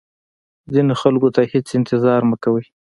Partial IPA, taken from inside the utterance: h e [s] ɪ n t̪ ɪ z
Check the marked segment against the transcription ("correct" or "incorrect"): incorrect